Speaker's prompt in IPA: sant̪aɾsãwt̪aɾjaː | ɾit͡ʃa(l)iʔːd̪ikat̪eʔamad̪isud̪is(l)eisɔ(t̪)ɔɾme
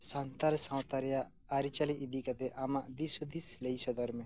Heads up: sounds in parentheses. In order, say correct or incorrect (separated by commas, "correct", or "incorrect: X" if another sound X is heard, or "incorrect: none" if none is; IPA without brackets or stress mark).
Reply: correct, correct, incorrect: d̪